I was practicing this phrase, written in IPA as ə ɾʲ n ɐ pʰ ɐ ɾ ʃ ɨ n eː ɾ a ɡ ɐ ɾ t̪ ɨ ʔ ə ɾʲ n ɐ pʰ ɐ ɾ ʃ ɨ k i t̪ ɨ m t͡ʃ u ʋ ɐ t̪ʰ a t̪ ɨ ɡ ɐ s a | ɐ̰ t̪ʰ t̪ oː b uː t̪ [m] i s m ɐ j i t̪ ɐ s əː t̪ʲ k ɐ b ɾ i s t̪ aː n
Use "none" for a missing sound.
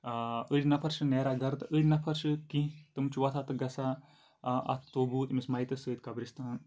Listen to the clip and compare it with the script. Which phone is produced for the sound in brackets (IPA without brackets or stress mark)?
m